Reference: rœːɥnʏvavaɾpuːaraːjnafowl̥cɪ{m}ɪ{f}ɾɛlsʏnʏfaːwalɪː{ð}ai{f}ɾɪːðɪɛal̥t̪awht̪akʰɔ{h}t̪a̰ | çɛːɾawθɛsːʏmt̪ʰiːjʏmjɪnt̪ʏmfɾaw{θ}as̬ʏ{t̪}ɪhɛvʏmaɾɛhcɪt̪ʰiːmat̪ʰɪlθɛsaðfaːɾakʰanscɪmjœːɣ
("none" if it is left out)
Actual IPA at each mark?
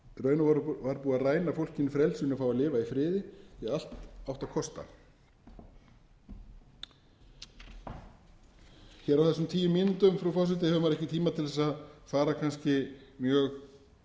n, f, v, f, s, f, t̪

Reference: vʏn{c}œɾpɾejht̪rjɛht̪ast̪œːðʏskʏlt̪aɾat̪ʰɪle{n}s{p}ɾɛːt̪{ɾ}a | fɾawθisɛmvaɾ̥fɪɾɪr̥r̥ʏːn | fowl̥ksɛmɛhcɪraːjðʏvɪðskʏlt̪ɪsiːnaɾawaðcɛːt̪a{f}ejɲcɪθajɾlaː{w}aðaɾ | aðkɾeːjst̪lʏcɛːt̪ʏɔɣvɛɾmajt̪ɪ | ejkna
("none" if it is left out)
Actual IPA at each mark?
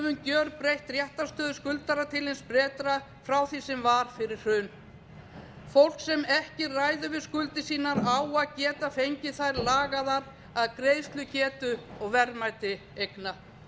c, n, p, ɾ, f, ɣ

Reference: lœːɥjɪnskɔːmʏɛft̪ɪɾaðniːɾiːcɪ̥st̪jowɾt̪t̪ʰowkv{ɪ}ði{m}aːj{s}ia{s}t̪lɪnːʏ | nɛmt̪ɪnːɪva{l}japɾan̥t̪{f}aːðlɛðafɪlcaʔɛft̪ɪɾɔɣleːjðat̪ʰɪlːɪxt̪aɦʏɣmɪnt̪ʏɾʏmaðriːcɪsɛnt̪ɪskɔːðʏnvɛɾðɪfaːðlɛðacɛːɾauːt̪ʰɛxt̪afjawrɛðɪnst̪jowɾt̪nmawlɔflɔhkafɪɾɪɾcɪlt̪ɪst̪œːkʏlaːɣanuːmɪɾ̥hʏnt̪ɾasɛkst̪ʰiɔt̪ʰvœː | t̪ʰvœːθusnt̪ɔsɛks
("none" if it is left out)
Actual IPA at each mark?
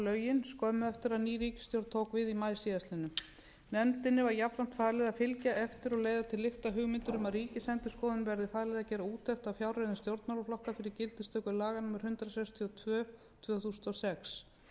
ɪ, m, s, s, ɾ, f

